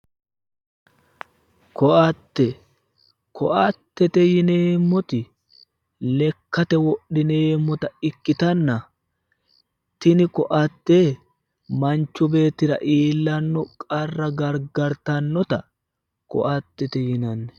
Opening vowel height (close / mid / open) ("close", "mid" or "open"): mid